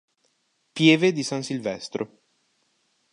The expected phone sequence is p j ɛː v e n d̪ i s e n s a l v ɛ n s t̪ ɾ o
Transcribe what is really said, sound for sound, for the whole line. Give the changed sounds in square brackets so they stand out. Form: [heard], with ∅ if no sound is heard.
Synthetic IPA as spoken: p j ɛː v e [∅] d̪ i s [a] n s [i] l v ɛ [∅] s t̪ ɾ o